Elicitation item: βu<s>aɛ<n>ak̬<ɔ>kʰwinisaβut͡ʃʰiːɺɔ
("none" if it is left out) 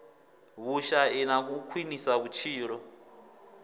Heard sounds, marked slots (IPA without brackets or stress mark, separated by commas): ʃ, n, u